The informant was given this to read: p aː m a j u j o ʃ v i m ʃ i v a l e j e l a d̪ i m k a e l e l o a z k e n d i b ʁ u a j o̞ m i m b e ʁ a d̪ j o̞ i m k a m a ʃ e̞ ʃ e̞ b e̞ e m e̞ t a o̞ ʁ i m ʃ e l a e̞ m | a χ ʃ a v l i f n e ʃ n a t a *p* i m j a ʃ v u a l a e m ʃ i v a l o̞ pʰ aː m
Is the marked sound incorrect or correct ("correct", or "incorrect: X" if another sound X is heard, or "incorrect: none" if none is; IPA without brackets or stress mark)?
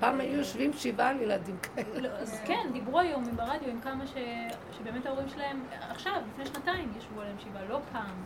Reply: incorrect: none